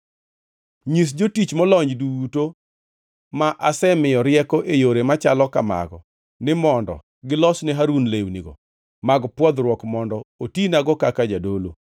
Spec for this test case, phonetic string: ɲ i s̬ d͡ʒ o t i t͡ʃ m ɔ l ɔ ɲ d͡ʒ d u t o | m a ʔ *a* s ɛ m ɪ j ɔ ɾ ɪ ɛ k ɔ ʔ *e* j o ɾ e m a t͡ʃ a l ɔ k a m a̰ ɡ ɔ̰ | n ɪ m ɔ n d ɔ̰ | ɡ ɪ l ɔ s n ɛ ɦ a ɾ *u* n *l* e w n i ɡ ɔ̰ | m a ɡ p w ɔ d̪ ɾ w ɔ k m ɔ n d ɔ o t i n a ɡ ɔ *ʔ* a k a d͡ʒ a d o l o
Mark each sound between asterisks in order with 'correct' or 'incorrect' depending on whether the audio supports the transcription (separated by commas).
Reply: correct, correct, correct, correct, incorrect